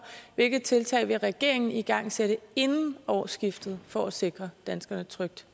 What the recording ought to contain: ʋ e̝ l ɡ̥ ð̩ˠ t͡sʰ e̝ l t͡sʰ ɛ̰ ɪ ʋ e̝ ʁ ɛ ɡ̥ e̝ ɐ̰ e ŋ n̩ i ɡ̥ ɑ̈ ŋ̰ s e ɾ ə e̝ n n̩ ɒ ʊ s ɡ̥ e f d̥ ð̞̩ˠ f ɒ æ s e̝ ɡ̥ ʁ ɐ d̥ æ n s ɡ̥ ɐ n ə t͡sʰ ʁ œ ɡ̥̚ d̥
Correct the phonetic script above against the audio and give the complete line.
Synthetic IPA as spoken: ʋ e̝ l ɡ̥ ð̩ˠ t͡sʰ e̝ l t͡sʰ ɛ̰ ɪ ʋ e̝ ʁ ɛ ɡ̥ e̝ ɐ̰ e ŋ n̩ i ɡ̥ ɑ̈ ŋ̰ s e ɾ ə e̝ n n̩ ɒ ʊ s ɡ̥ i f d̥ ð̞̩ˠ f ɒ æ s e̝ ɡ̥ ʁ ɐ d̥ æ n s ɡ̥ ɐ n ə t͡sʰ ʁ œ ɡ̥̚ d̥